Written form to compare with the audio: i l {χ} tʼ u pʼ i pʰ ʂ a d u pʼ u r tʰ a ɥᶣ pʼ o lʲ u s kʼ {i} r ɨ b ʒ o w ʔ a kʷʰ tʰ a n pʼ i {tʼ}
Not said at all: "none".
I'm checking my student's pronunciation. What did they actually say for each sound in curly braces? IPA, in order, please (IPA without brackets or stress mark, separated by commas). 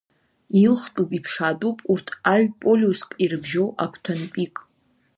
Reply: χ, i, kʼ